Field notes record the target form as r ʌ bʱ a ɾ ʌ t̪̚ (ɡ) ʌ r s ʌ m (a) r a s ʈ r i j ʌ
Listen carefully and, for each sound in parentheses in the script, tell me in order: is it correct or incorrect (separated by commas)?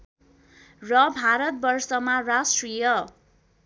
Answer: incorrect, correct